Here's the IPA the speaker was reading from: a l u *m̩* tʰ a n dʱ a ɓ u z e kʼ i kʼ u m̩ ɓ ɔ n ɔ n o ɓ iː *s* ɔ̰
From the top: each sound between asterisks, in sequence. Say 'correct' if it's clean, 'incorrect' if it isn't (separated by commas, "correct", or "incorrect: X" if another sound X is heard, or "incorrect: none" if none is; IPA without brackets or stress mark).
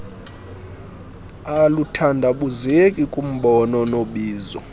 incorrect: none, incorrect: z